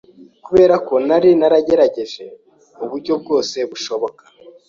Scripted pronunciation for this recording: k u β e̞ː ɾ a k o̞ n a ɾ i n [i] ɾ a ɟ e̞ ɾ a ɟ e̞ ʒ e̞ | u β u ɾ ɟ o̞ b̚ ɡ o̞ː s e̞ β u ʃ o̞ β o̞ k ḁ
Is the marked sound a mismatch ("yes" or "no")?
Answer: yes